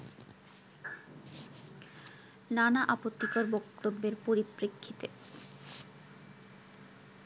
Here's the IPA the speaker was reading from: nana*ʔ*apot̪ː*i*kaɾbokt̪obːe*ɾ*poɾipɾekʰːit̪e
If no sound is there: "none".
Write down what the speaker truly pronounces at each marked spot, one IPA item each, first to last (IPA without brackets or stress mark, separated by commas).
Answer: ʔ, i, ɾ